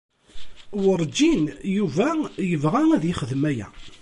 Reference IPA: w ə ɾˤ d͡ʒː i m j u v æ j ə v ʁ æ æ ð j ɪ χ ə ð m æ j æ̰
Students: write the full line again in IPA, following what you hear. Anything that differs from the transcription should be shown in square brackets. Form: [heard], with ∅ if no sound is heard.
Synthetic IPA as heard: w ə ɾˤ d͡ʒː i [n] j u v æ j ə v ʁ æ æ ð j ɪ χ ə ð m æ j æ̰